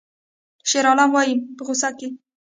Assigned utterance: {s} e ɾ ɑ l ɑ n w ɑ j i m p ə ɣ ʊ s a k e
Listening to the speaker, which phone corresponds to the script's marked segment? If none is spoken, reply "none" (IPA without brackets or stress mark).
ʃ